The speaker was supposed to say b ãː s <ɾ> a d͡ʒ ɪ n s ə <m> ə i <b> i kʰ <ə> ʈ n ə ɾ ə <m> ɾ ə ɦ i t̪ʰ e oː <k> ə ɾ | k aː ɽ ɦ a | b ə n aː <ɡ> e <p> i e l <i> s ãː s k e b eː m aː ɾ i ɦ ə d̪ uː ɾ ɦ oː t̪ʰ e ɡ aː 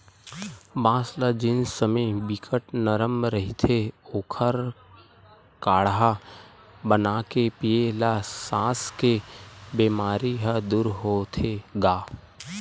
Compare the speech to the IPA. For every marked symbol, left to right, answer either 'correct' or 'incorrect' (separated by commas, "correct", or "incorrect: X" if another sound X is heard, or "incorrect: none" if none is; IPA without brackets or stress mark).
incorrect: l, correct, correct, correct, correct, incorrect: kʰ, incorrect: k, correct, incorrect: a